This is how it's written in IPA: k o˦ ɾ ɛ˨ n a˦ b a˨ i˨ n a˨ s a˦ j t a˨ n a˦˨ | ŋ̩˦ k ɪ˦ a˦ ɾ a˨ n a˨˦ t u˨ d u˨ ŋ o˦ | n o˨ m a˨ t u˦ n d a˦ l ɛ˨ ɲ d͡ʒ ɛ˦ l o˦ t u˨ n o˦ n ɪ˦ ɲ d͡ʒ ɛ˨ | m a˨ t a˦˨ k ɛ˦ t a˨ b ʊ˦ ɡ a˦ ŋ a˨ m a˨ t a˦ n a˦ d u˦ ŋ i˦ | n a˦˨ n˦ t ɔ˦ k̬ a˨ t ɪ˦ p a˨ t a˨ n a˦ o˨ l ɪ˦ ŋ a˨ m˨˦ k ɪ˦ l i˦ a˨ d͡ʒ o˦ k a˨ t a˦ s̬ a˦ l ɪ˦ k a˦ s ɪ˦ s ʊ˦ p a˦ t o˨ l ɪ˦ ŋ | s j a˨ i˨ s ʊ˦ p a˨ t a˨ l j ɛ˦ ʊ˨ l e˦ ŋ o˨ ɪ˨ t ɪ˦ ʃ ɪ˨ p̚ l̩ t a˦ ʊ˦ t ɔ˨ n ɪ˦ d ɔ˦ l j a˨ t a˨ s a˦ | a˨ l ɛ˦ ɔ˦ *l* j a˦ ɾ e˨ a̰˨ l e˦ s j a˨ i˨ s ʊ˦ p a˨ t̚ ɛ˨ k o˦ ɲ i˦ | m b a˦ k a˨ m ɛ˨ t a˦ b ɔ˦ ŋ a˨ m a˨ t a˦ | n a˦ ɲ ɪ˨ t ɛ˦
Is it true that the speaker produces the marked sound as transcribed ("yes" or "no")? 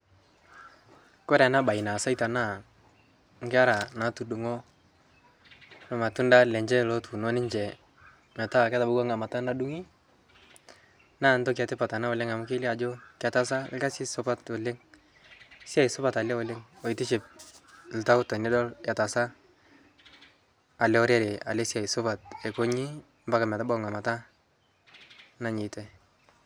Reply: no